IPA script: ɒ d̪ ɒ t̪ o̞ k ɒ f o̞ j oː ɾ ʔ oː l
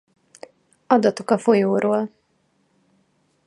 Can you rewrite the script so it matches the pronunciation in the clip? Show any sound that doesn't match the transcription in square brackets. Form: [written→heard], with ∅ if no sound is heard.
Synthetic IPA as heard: ɒ d̪ ɒ t̪ o̞ k ɒ f o̞ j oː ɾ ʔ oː l